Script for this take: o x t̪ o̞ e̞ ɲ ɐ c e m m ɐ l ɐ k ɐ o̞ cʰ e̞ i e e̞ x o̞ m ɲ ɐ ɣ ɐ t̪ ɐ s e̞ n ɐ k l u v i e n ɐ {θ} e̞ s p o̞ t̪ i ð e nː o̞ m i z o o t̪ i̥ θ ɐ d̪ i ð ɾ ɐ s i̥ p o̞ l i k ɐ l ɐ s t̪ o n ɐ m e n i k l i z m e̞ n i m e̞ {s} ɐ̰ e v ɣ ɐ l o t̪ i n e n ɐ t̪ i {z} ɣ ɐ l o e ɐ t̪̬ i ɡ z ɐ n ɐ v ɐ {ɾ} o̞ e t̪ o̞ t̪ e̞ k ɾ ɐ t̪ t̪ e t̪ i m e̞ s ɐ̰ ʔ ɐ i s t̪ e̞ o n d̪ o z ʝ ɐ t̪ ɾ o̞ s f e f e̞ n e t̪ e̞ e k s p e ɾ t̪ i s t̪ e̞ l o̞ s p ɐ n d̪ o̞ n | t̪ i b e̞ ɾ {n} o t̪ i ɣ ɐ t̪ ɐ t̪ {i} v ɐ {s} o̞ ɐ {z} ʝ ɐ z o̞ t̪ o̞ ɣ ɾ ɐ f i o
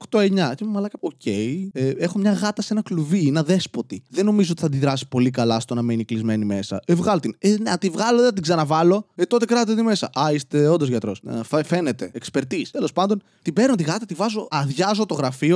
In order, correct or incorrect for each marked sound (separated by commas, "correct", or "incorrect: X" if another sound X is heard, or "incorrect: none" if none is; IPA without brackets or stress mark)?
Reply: incorrect: ð, correct, incorrect: v, incorrect: l, correct, correct, incorrect: z, incorrect: ð